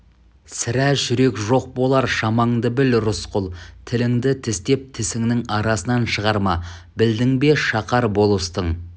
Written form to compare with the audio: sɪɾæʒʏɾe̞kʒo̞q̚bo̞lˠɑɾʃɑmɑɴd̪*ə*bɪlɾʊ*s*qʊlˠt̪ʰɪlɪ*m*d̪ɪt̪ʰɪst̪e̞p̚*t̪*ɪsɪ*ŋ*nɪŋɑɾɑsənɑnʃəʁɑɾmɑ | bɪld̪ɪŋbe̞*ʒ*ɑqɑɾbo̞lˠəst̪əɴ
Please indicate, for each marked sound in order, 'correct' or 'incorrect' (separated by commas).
correct, correct, incorrect, incorrect, correct, incorrect